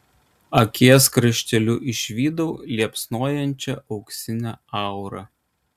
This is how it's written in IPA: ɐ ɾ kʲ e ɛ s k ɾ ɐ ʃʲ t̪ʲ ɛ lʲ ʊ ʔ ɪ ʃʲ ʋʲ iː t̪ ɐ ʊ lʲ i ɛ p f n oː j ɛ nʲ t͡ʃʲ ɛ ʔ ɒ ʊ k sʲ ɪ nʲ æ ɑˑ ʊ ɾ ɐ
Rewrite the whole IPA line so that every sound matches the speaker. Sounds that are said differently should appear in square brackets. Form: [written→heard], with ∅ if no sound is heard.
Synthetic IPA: ɐ [ɾ→∅] kʲ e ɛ s k ɾ ɐ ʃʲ t̪ʲ ɛ lʲ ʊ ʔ ɪ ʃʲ ʋʲ iː [t̪→d̪] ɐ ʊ lʲ i ɛ p [f→s] n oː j ɛ nʲ t͡ʃʲ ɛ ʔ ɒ ʊ k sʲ ɪ nʲ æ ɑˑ ʊ ɾ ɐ